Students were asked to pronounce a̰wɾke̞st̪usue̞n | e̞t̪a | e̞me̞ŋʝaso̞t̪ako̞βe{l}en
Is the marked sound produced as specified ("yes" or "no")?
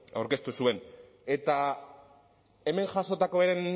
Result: no